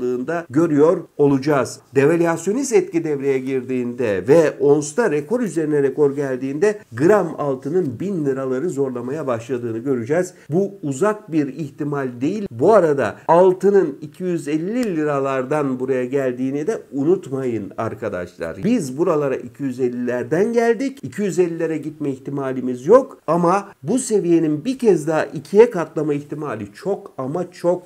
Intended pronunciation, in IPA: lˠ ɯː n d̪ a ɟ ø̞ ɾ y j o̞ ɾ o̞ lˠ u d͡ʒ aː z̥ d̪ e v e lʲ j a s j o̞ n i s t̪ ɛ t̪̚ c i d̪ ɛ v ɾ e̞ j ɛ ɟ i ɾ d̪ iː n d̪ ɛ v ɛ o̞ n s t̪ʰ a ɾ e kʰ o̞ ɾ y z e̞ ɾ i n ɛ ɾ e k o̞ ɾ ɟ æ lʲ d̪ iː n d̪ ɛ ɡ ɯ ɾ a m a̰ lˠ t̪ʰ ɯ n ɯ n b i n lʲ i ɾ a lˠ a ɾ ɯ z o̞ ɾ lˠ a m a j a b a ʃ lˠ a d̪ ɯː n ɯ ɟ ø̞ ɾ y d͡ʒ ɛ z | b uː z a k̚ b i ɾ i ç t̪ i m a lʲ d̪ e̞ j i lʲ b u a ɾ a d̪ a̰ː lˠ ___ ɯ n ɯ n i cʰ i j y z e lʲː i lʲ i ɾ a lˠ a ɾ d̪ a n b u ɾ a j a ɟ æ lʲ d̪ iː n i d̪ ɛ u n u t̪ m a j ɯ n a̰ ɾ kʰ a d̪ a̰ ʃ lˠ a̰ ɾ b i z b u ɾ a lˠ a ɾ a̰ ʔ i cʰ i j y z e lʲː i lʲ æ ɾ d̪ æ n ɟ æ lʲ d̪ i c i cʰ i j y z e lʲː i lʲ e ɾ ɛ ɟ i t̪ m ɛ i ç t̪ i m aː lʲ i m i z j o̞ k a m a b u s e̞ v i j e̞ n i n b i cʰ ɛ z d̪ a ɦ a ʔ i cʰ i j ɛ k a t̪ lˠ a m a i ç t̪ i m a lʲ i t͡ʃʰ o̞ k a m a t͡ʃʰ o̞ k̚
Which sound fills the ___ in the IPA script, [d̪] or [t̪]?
t̪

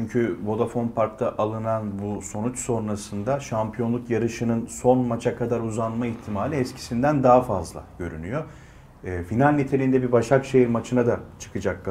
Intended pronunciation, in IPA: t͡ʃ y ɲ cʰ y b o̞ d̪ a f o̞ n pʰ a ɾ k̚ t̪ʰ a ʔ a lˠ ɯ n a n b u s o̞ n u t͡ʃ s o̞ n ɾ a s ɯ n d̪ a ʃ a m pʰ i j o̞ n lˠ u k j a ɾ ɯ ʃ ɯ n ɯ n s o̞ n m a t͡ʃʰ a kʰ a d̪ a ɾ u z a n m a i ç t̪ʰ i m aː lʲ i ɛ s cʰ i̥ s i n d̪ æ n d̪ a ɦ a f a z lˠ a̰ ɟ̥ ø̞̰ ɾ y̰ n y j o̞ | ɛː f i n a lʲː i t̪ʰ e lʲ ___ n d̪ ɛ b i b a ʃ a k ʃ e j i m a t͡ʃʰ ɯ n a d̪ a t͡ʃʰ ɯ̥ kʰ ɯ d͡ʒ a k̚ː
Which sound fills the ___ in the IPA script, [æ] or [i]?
i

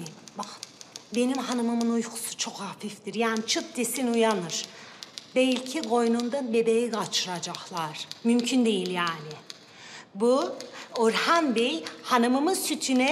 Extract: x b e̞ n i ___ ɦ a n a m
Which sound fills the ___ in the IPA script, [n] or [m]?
m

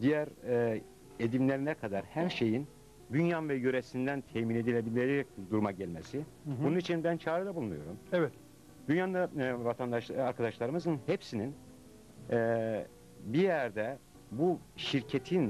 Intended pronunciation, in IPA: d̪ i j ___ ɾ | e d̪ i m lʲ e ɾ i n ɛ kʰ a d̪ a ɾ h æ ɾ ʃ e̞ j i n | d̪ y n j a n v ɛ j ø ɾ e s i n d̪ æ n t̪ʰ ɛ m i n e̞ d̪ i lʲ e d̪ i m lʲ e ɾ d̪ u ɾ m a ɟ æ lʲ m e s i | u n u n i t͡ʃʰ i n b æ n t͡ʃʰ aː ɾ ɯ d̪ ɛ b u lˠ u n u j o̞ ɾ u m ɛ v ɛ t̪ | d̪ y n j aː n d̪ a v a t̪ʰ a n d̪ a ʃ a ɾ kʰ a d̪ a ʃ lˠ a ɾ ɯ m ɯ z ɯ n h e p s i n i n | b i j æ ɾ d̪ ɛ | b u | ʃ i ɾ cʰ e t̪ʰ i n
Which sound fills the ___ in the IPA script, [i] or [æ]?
æ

